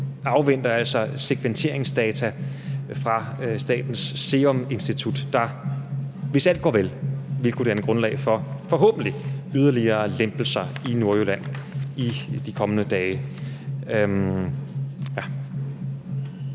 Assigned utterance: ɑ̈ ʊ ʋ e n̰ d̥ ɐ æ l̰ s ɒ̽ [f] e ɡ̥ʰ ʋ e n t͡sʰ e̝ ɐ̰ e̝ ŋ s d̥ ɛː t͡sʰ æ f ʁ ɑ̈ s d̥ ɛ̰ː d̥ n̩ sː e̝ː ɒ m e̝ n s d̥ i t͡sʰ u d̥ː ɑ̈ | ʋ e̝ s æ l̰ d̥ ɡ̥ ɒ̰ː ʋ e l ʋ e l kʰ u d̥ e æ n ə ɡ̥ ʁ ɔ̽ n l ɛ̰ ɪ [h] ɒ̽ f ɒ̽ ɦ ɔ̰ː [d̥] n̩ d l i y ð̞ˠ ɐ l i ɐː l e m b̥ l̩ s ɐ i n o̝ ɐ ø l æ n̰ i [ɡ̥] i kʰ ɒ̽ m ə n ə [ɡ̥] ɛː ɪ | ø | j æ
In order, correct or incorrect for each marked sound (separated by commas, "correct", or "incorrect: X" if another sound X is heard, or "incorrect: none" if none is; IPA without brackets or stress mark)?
incorrect: s, incorrect: f, incorrect: b̥, incorrect: d̥, incorrect: d̥